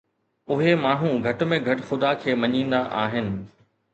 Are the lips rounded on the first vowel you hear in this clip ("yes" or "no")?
yes